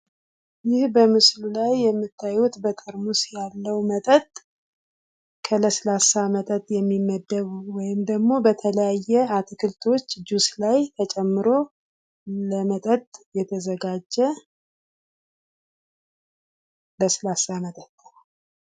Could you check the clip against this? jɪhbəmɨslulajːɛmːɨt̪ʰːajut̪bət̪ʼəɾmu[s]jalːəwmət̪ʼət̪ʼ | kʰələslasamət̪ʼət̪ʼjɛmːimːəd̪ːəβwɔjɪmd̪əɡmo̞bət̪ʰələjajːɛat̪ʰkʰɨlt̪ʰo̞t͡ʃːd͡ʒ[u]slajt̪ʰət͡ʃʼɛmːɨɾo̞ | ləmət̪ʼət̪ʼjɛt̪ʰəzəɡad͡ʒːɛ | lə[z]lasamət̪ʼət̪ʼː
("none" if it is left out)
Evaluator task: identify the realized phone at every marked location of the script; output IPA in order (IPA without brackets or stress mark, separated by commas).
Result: s, u, s